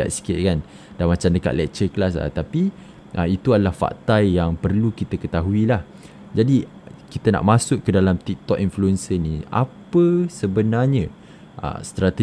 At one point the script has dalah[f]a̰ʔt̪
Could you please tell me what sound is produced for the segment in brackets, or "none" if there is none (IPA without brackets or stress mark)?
f